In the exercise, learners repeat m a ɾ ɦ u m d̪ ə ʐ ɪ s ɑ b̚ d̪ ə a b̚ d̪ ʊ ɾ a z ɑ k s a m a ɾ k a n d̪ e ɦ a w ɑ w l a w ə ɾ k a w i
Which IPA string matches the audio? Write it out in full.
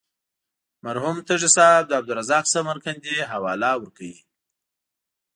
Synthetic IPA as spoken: m a ɾ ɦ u m t̪ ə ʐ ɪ s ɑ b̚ d̪ ə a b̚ d̪ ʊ ɾ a z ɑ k s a m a ɾ k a n d̪ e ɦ a w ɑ l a w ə ɾ k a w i